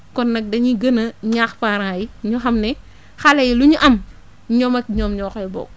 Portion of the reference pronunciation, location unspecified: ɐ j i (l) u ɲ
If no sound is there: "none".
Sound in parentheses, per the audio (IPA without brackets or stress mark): l